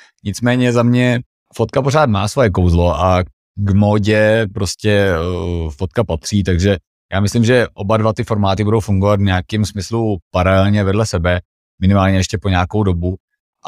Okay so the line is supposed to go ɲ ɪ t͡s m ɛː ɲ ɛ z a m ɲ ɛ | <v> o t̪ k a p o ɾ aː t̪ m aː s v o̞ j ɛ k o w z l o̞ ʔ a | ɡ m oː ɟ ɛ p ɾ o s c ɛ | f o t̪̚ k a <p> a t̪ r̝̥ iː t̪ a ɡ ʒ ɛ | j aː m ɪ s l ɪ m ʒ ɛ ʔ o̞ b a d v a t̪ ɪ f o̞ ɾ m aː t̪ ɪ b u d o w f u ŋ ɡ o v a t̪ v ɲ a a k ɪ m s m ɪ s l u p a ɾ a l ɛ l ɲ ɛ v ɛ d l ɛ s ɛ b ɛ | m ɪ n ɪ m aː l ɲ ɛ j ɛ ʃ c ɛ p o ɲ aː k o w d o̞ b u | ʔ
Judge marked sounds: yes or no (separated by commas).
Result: no, yes